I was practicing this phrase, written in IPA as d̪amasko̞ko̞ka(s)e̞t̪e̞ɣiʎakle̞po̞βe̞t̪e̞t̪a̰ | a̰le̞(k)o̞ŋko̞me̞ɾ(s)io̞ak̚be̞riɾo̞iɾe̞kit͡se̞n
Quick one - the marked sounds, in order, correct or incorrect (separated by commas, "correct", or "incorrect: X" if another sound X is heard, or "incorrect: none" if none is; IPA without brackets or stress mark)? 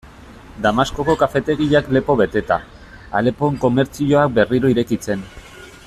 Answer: incorrect: f, incorrect: p, incorrect: t͡s